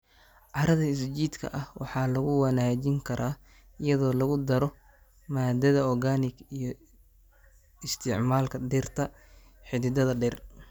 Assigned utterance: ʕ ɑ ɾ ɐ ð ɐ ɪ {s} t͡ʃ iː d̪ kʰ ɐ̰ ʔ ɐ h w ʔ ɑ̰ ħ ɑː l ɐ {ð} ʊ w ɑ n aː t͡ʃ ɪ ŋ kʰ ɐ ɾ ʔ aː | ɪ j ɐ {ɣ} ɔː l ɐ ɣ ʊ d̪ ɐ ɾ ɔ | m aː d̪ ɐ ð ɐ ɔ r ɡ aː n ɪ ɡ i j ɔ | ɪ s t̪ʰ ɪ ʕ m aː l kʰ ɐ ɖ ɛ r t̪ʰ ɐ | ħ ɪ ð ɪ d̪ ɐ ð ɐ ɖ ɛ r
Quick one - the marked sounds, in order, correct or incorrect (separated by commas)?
correct, incorrect, incorrect